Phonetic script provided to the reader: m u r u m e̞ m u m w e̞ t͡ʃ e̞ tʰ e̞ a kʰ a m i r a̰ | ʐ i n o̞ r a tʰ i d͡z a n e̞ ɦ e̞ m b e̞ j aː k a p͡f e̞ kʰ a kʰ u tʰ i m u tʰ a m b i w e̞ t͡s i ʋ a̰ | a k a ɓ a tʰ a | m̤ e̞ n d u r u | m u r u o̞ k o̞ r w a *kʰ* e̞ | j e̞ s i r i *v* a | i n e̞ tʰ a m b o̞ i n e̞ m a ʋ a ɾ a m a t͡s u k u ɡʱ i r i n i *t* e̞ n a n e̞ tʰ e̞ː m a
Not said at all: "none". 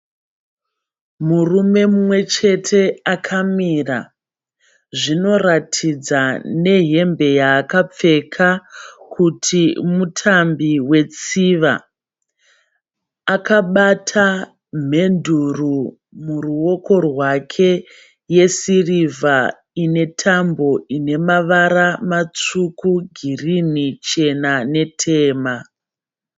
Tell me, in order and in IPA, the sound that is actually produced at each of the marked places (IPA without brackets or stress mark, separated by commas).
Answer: kʰ, v, t͡ʃ